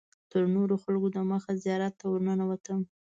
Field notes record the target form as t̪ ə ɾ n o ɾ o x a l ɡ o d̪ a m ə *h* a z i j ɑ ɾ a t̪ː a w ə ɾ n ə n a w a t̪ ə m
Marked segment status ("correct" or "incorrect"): incorrect